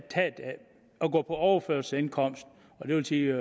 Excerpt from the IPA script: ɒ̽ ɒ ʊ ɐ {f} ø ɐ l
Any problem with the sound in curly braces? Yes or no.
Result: no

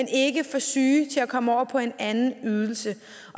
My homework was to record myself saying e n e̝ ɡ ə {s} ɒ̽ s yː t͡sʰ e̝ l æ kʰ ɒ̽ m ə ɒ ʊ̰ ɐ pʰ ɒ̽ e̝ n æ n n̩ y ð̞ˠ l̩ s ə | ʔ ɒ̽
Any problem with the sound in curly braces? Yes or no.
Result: yes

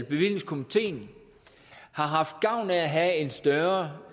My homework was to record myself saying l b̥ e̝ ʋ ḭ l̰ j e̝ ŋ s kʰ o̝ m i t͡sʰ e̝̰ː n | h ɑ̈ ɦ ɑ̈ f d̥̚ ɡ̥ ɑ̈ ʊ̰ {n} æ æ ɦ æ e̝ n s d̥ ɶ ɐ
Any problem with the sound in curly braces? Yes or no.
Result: no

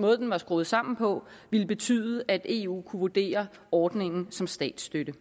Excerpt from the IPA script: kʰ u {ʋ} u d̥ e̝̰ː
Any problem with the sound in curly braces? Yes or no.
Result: no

